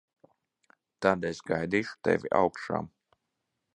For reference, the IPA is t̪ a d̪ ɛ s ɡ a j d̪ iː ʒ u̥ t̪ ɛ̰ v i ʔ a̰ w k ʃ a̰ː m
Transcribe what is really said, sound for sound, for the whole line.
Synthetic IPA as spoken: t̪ a d̪ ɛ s ɡ a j d̪ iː ʃ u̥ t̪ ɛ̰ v i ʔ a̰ w k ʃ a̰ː m